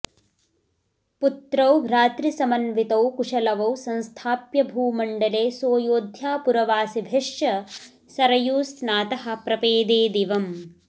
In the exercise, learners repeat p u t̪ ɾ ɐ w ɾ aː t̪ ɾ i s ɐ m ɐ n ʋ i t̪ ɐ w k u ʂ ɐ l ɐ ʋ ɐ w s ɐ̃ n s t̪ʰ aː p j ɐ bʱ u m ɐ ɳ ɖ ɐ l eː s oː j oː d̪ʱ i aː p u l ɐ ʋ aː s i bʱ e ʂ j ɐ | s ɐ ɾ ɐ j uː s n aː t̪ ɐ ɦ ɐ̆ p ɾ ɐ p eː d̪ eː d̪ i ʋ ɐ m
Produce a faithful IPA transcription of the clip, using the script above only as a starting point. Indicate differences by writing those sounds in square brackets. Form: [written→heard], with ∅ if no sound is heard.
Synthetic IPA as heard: p u t̪ ɾ ɐ w ɾ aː t̪ ɾ i s ɐ m ɐ n ʋ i t̪ ɐ w k u ʂ ɐ l ɐ ʋ ɐ w s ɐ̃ n s t̪ʰ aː p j ɐ bʱ [u→uː] m ɐ ɳ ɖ ɐ l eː s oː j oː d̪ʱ [i→j] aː p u [l→ɾ] ɐ ʋ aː s i bʱ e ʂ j ɐ | s ɐ ɾ ɐ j uː s n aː t̪ ɐ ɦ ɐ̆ p ɾ ɐ p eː d̪ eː d̪ i ʋ ɐ m